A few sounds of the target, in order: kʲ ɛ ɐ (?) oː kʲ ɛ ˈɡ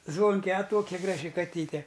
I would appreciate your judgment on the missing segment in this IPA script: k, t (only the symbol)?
t